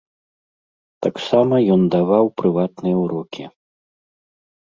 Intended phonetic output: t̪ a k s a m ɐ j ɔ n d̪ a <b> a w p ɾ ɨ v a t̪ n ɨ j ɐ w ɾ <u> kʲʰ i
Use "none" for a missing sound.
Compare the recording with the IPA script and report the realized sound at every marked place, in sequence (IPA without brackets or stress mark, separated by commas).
v, ɔ